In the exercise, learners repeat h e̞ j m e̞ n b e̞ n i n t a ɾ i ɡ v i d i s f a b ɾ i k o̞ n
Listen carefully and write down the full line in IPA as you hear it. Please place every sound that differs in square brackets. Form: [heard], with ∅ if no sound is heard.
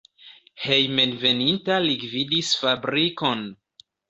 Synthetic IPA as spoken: h e̞ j m e̞ n [v] e̞ n i n t a [l] i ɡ v i d i s f a b ɾ i k o̞ n